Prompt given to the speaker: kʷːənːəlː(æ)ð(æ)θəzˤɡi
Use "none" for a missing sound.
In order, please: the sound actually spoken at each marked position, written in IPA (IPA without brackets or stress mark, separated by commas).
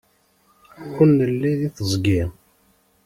i, i